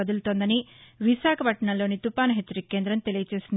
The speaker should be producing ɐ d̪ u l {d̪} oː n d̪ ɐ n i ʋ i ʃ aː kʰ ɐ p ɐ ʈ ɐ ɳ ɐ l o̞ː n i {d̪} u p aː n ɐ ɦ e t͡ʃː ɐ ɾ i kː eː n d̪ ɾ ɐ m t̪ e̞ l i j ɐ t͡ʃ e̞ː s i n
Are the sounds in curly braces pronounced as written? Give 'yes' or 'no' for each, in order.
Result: no, no

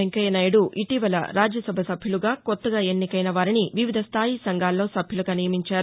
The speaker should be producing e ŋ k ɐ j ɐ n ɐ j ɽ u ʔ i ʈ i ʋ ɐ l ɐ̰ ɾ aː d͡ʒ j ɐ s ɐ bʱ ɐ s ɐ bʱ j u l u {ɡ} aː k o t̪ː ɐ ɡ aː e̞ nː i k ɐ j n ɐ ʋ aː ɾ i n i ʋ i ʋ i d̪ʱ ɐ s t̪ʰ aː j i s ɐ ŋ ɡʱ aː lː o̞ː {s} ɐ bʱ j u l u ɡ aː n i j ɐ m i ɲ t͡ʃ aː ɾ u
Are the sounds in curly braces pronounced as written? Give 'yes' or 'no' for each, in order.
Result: yes, yes

